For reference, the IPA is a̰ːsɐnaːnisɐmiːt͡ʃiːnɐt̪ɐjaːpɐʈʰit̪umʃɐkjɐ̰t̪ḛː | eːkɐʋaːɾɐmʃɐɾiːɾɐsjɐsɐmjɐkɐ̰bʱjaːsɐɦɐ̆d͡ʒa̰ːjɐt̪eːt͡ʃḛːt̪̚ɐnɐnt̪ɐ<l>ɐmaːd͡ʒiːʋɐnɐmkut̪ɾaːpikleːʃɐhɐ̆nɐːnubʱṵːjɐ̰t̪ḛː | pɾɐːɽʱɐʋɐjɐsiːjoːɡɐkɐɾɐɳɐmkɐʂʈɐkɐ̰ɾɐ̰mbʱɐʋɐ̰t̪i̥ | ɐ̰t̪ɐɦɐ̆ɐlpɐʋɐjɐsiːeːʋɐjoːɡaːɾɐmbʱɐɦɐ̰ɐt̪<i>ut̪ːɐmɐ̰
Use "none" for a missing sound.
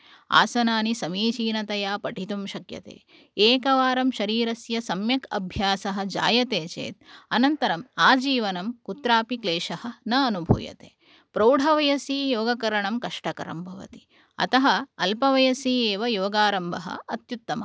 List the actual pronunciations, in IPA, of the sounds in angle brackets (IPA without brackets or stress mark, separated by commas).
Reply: ɾ, j